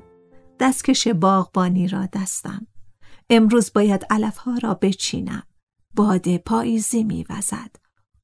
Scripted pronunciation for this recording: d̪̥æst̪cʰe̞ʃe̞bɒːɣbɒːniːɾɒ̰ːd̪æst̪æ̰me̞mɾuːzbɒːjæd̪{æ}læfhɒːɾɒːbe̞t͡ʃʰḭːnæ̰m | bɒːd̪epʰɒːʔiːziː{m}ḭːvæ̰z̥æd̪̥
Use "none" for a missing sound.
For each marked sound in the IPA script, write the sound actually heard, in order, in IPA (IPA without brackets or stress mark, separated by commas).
æ, m